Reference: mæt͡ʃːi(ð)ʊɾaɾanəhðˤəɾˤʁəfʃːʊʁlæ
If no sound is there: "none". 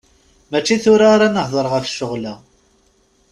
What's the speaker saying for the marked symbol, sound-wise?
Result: θ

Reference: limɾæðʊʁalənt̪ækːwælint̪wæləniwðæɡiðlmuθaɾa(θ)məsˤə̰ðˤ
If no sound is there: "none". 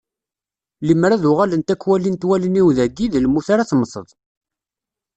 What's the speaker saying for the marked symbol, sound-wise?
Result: θ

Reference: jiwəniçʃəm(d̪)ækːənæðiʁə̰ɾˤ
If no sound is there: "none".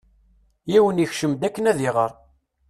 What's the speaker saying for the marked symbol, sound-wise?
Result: d̪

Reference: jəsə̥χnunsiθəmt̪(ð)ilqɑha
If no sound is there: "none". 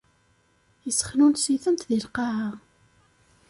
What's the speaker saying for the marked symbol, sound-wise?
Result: ð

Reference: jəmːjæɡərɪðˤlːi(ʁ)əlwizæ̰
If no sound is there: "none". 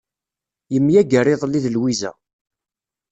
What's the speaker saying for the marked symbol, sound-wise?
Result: ð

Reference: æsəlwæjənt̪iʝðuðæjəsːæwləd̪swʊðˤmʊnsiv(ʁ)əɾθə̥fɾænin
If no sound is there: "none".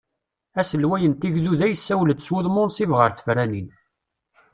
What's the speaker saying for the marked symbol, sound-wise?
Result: ʁ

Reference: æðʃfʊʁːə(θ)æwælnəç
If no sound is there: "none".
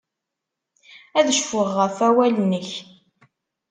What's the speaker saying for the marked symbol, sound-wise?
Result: f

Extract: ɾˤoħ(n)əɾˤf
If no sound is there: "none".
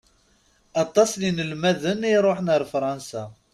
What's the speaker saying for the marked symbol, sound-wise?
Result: n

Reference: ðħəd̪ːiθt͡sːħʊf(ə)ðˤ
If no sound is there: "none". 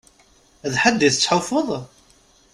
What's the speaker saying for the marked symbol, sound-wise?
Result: ə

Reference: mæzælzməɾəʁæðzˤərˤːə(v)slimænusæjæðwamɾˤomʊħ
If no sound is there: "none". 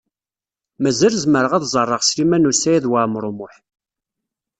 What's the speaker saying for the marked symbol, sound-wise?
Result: ʁ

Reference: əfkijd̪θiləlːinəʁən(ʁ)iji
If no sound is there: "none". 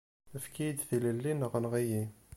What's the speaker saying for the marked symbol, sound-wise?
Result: ʁ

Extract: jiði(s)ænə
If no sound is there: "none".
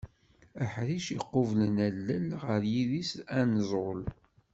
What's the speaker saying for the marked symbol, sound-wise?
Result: s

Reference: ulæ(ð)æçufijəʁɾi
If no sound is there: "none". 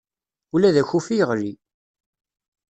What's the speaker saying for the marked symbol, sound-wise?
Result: ð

